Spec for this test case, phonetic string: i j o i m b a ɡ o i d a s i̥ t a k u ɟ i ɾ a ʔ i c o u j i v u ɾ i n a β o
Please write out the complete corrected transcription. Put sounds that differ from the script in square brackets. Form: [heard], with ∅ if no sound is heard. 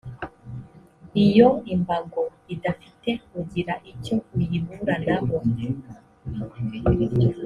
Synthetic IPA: i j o i m b a ɡ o i d a [f] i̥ t [e] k u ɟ i ɾ a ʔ i c o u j i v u ɾ [a] n a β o